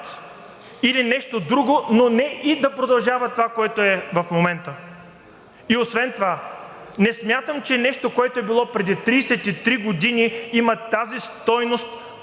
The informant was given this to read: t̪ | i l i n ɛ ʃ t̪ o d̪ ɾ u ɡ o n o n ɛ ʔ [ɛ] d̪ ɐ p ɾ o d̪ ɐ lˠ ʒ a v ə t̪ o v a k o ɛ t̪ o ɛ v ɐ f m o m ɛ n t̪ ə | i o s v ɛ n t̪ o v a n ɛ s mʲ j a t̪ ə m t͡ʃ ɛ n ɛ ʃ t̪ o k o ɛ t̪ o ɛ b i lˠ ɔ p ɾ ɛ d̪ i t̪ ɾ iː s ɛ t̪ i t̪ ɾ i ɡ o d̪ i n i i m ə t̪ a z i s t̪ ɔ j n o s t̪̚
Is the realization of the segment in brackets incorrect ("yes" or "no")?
yes